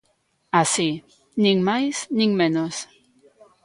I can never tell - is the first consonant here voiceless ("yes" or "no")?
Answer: yes